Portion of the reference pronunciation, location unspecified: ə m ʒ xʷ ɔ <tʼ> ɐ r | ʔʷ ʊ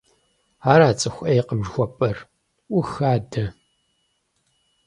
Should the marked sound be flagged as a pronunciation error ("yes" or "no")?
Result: yes